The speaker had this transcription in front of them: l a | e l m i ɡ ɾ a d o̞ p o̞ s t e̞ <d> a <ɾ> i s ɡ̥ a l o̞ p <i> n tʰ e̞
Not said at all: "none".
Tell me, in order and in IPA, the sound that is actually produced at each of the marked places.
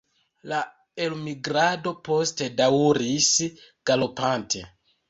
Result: d, ɾ, a

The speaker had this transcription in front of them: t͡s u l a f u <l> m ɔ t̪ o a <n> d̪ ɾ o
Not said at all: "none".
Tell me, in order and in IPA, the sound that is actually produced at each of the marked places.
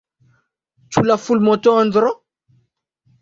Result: l, n

